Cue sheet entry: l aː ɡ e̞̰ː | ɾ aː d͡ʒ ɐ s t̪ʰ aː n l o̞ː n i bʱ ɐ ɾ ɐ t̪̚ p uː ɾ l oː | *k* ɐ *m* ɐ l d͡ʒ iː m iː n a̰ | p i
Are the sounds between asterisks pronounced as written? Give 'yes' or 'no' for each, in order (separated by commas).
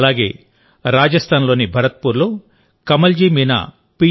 yes, yes